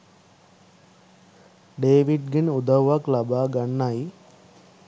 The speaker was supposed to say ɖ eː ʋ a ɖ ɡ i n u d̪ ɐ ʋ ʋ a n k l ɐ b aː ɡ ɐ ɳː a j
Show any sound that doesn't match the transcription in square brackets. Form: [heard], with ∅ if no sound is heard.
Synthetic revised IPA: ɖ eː ʋ [i] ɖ ɡ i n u d̪ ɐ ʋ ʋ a [∅] k l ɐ b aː ɡ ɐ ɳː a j